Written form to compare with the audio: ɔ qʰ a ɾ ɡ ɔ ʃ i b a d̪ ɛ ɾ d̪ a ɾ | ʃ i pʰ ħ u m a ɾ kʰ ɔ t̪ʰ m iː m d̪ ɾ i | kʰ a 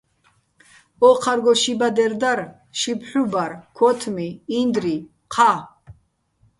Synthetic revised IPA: ɔ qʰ a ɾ ɡ ɔ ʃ i b a d̪ ɛ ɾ d̪ a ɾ | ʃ i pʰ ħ u b a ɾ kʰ ɔ t̪ʰ m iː n d̪ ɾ i | qʰ a